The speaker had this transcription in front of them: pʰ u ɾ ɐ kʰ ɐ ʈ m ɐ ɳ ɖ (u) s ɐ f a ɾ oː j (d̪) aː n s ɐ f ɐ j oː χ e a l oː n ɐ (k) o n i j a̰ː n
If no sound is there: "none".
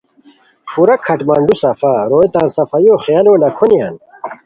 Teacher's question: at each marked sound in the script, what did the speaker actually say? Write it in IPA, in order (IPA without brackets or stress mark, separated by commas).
u, t̪, kʰ